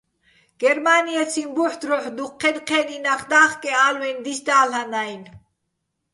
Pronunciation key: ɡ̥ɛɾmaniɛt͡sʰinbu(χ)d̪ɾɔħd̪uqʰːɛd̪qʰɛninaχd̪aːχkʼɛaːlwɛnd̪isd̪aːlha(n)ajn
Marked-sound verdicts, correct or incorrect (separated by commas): incorrect, correct